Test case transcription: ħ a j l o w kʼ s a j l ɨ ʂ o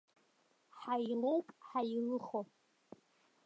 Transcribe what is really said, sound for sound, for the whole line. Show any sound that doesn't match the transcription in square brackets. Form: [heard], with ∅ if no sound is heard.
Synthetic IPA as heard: ħ a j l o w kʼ [ħ] a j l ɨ [χ] o